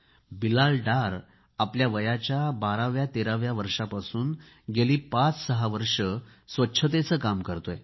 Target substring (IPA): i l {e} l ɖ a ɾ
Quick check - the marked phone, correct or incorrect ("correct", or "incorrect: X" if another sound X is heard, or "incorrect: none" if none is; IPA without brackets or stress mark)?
incorrect: a